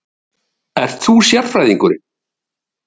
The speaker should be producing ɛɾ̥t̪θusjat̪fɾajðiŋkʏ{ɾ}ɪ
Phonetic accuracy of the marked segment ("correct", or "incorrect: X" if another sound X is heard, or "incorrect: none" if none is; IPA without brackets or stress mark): correct